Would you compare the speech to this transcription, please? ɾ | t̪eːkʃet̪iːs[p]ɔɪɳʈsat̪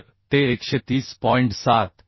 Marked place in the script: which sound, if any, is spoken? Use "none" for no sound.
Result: p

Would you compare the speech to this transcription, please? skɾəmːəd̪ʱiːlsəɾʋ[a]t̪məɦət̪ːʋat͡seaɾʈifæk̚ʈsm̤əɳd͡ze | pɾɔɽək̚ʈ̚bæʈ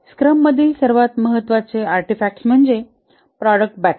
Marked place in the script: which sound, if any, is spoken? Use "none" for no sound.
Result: a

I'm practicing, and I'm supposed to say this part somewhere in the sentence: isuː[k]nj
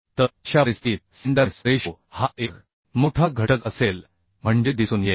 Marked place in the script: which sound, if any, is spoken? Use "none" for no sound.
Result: none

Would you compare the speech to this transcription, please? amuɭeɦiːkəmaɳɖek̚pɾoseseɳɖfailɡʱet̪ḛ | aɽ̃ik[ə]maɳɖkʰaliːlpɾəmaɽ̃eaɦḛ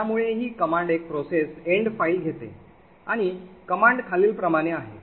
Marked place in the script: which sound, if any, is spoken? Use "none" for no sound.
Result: ə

